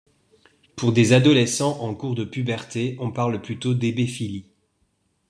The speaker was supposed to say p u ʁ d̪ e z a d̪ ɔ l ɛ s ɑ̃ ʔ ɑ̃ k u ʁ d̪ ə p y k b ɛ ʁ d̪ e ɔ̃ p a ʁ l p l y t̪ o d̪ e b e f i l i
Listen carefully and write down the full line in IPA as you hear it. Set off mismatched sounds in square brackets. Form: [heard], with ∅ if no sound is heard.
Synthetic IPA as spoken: p u ʁ d̪ e z a d̪ ɔ l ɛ s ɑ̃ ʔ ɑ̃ k u ʁ d̪ ə p y [∅] b ɛ ʁ [t̪] e ɔ̃ p a ʁ l p l y t̪ o d̪ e b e f i l i